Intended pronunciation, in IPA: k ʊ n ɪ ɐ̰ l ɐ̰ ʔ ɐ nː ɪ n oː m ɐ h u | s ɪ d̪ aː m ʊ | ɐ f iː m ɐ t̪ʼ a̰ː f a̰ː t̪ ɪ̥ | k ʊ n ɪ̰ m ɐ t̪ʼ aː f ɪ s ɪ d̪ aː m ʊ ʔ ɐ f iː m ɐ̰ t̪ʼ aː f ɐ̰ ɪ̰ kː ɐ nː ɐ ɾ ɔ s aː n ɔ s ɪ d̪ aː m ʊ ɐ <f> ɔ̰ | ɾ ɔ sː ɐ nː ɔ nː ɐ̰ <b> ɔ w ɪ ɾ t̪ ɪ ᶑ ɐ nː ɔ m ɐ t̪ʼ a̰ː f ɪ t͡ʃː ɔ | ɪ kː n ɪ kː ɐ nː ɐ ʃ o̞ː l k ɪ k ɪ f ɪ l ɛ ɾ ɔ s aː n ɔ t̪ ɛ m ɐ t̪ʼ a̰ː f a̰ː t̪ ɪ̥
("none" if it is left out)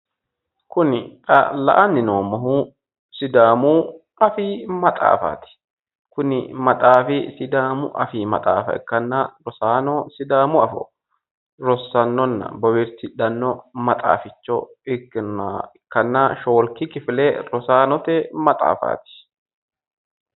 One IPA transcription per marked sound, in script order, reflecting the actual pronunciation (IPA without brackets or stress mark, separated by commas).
f, b